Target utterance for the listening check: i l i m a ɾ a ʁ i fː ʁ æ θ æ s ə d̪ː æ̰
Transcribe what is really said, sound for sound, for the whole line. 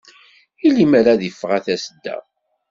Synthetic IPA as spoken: i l i m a ɾ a ð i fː ʁ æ θ æ s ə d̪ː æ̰